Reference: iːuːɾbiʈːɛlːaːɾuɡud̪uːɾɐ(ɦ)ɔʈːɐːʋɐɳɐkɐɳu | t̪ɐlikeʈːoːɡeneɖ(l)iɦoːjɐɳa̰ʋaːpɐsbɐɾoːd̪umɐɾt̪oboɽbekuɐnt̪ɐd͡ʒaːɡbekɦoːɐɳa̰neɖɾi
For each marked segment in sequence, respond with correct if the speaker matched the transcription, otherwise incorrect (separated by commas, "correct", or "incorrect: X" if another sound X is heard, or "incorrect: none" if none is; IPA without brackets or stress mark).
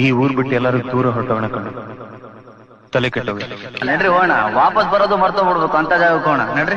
correct, incorrect: ɾ